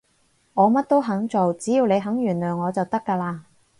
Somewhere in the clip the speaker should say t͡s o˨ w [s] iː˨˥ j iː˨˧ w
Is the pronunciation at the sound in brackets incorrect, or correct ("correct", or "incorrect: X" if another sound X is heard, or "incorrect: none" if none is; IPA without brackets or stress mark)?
incorrect: t͡s